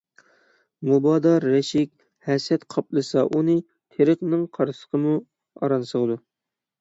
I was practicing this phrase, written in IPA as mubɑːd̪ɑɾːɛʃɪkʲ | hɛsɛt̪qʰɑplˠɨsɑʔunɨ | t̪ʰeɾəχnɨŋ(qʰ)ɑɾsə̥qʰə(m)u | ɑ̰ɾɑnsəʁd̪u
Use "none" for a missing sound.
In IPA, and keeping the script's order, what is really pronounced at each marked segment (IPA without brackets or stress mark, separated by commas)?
qʰ, m